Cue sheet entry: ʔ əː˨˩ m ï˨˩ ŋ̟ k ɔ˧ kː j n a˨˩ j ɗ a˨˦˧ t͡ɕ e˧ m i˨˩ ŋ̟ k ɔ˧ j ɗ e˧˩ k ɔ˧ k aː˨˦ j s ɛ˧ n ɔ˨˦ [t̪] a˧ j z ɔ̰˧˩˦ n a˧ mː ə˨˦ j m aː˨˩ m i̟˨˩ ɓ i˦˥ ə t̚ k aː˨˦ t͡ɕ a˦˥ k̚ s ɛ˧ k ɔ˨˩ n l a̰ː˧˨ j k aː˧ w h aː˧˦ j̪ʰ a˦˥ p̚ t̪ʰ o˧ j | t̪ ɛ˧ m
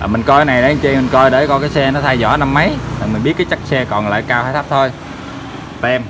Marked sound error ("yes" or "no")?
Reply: yes